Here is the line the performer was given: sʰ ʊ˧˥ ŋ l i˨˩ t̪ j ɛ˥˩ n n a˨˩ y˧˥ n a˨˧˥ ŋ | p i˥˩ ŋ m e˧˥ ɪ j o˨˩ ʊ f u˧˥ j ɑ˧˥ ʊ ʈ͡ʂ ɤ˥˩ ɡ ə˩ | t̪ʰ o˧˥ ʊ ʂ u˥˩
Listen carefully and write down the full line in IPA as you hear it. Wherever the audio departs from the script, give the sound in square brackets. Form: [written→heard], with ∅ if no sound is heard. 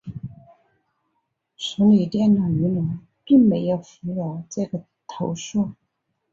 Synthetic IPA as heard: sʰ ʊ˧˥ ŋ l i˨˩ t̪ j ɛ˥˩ n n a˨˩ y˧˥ n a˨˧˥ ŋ | p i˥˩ ŋ m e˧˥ ɪ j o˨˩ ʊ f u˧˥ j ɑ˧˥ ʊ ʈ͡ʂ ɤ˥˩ ɡ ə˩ | t̪ʰ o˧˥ ʊ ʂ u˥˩